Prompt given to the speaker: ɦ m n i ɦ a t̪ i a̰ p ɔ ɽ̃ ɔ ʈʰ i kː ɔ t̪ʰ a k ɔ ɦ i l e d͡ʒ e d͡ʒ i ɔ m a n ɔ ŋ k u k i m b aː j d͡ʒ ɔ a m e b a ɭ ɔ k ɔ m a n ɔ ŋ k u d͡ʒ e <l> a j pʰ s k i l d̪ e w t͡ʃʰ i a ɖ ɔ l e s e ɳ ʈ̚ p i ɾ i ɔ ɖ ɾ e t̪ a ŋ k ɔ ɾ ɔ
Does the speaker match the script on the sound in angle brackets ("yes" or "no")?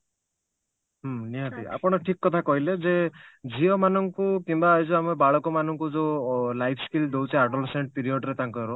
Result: yes